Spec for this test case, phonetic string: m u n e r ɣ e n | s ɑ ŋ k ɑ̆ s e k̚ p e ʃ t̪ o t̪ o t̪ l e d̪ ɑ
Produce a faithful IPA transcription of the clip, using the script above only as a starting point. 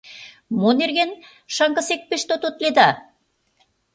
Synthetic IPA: m o n e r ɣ e n | ʃ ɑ ŋ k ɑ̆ s e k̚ p e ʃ t̪ o t̪ o t̪ l e d̪ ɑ